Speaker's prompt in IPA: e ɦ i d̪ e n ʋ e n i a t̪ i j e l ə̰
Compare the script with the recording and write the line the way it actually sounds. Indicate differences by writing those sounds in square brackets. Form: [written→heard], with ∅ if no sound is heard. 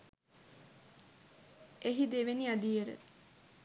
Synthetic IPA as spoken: e ɦ i d̪ e [n→∅] ʋ e n i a [t̪→d̪] i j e [l→ɾ] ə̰